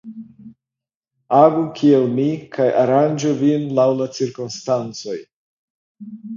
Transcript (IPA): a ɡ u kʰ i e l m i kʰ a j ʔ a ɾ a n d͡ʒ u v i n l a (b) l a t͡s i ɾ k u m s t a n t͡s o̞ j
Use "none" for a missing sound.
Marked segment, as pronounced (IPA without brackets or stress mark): w